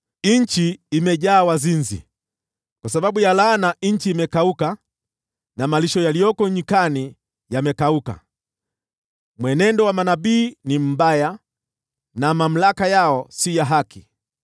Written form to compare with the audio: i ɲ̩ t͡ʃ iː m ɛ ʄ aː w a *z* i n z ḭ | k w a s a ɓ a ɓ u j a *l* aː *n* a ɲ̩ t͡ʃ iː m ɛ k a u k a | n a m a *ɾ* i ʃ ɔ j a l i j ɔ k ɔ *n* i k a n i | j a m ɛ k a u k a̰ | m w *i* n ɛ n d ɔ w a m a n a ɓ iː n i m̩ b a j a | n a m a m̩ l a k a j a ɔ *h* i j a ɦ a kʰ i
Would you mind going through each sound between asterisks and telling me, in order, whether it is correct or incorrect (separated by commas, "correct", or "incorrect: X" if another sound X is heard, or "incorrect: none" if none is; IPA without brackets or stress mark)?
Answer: correct, correct, correct, incorrect: l, incorrect: ɲ, incorrect: ɛ, incorrect: s